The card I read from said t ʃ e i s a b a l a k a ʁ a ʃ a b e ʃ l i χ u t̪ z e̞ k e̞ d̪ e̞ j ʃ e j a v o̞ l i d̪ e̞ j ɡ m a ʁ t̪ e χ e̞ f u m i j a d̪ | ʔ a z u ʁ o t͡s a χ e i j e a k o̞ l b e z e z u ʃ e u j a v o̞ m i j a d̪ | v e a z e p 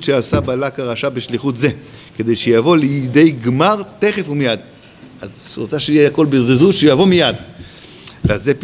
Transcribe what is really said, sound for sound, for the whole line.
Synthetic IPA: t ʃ e a s a b a l a k a ʁ a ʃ a b e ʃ l i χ u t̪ z e̞ k e̞ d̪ e̞ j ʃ e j a v o̞ l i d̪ e̞ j ɡ m a ʁ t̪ e χ e̞ f u m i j a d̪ | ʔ a z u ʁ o t͡s a ʃ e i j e a k o̞ l b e z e z u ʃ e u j a v o̞ m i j a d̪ | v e a z e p